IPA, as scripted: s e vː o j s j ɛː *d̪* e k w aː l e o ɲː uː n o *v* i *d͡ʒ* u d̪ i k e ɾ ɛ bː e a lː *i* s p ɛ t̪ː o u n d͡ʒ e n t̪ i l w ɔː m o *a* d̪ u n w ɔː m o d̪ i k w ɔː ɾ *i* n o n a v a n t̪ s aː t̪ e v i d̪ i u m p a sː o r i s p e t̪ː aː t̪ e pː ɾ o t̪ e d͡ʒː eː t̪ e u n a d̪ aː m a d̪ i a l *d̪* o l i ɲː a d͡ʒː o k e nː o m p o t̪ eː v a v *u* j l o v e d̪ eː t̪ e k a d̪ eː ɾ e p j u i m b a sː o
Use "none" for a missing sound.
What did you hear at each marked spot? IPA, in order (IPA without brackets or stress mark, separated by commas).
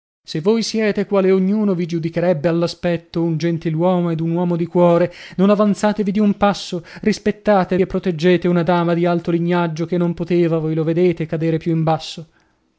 t̪, v, d͡ʒ, a, e, e, t̪, o